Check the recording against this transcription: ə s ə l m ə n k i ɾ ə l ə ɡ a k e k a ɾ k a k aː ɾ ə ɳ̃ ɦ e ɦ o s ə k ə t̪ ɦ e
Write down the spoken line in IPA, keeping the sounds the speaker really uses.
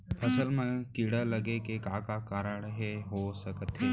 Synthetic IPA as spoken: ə s ə l m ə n k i ɽ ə l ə ɡ e k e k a k a k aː ɾ ə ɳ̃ ɦ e ɦ o s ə k ə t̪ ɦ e